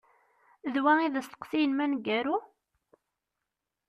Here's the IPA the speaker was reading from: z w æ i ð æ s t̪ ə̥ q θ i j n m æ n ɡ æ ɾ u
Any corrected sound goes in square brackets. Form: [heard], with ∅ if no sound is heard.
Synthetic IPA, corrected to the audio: [ð] w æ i ð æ s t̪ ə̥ q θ i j n m æ n ɡ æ ɾ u